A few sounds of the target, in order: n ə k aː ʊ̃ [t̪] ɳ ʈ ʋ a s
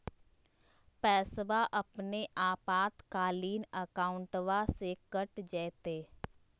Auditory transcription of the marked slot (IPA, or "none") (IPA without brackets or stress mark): none